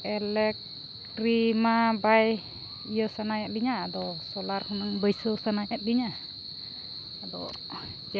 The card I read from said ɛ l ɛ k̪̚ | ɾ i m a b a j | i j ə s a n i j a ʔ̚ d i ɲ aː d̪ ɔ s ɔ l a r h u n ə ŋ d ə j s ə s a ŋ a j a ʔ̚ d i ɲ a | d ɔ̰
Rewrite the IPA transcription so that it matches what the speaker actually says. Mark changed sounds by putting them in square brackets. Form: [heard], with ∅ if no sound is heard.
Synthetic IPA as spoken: ɛ l ɛ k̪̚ | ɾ i m a b a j | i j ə s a n [a] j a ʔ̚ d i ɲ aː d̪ ɔ s ɔ l a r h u n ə ŋ [b] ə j s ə s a [n] a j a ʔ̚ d i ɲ a | d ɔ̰